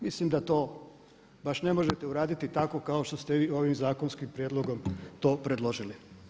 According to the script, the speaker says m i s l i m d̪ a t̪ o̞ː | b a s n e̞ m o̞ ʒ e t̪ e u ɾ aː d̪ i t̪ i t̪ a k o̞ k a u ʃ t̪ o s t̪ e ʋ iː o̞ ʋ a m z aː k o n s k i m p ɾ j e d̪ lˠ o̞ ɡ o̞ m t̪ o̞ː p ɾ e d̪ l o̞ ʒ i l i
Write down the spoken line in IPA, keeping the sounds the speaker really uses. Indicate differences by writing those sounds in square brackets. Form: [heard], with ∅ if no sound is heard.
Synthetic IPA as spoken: m i s l i m d̪ a t̪ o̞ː | b a [ʃ] n e̞ m o̞ ʒ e t̪ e u ɾ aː d̪ i t̪ i t̪ a k o̞ k a [o] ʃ t̪ o s t̪ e ʋ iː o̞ ʋ [i] m z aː k o n s k i m p ɾ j e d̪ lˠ o̞ ɡ o̞ m t̪ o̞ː p ɾ e d̪ l o̞ ʒ i l i